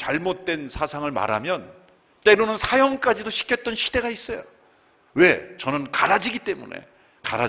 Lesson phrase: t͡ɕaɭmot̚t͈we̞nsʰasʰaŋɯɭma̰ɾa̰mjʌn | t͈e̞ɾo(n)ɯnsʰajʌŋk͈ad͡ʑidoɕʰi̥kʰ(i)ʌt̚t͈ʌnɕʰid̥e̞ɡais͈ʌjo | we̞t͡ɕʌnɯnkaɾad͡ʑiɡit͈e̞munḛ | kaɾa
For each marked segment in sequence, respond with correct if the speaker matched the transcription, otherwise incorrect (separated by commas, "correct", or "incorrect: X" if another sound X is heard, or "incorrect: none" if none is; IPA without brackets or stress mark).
correct, incorrect: j